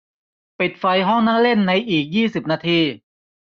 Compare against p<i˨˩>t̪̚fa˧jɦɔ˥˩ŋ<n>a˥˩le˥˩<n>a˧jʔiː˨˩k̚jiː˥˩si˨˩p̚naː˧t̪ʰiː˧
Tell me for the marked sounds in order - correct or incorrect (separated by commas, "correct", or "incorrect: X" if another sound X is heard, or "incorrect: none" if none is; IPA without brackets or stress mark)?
correct, correct, incorrect: nː